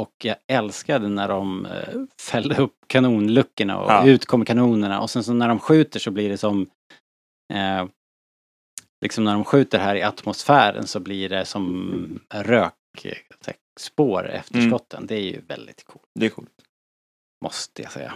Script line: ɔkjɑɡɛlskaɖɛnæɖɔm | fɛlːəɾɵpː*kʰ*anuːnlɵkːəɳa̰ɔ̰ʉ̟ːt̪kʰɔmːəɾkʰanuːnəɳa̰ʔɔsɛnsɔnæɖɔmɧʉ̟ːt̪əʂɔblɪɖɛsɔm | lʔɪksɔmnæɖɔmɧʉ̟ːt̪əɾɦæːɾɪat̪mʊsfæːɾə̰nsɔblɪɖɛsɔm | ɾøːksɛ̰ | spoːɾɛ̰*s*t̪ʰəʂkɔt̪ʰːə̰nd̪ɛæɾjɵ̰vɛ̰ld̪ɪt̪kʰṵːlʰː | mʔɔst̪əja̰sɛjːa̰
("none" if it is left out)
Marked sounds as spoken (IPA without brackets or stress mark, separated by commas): kʰ, f